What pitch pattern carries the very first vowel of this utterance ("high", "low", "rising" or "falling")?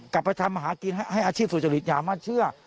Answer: low